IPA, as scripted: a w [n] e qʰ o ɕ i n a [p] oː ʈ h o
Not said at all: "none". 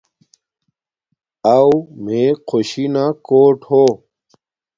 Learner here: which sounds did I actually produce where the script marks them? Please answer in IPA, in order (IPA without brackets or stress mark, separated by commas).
m, k